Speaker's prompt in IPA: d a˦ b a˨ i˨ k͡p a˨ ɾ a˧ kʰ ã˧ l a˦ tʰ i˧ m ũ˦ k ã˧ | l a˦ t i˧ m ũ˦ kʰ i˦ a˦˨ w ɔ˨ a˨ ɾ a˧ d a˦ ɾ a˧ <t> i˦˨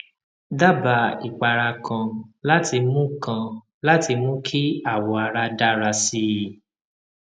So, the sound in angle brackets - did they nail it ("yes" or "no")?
no